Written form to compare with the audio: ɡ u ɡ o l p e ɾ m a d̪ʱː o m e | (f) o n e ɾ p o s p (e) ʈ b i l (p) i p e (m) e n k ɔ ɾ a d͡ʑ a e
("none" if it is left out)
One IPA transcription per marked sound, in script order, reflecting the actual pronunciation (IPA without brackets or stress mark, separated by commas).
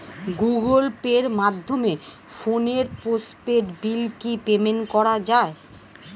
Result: f, e, k, m